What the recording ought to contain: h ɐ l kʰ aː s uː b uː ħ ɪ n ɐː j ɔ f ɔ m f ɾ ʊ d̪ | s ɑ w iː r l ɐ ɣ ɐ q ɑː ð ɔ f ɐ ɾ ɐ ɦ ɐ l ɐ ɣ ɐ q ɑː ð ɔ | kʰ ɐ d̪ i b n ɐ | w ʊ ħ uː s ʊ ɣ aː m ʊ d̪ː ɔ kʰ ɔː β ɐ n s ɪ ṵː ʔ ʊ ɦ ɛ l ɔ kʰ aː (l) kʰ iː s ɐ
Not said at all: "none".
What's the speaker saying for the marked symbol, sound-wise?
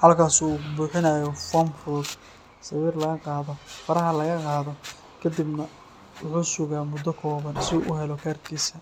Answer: r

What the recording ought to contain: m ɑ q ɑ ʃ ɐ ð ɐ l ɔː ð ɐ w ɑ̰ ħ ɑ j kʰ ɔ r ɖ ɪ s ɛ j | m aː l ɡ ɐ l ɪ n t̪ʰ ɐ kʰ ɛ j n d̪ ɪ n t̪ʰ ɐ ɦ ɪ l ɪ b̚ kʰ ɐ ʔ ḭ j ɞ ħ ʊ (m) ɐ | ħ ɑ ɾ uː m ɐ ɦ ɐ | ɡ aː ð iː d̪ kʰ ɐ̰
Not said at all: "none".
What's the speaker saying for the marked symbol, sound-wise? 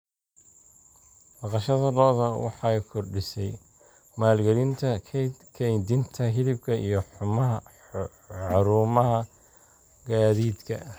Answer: m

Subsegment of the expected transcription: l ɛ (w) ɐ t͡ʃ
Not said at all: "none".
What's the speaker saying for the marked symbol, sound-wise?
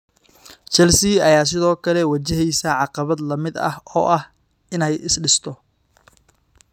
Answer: w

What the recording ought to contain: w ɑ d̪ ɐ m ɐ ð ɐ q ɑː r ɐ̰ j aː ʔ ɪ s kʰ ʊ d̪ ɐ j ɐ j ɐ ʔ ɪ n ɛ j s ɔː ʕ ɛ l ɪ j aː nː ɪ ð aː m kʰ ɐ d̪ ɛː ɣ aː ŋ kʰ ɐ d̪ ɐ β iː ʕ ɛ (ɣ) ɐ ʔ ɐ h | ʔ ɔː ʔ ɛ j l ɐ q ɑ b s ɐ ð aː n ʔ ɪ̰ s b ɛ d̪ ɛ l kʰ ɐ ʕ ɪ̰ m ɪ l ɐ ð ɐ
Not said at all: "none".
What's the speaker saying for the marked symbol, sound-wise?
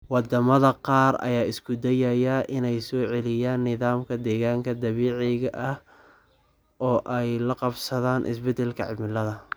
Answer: ɣ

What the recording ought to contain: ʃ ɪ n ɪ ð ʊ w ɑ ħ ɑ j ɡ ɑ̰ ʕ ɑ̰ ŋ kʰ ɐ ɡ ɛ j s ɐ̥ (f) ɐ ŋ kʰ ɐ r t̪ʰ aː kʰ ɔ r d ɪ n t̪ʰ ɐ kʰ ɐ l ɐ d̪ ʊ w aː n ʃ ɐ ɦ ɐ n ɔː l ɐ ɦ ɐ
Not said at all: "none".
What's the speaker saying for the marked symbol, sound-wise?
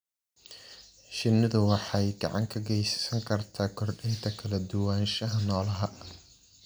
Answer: s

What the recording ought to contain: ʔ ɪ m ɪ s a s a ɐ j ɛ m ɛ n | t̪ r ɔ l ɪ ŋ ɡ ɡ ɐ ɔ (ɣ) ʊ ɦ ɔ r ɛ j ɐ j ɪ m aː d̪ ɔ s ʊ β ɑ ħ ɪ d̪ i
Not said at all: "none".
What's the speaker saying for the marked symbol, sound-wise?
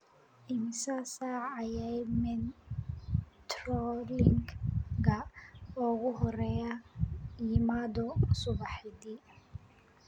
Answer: ɣ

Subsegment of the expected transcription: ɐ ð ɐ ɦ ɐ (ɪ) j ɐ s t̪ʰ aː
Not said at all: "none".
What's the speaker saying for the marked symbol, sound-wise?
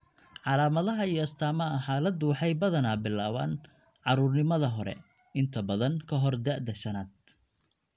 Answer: i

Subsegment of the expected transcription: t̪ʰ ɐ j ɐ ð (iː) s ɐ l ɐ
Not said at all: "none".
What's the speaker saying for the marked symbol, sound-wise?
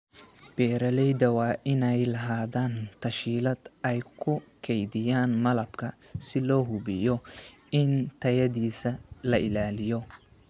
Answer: iː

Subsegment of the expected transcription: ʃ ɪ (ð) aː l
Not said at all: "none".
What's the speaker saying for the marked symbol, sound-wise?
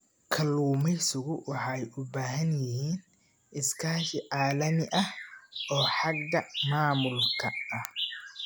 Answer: ʕ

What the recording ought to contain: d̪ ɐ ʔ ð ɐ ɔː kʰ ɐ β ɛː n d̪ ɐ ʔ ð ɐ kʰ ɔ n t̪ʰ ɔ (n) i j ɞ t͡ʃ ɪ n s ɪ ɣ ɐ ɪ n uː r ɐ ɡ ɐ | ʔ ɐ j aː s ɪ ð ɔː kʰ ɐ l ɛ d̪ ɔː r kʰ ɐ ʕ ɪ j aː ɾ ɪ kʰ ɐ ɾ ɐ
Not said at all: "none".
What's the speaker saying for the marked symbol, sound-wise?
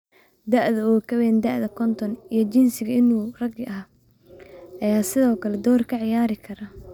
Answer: n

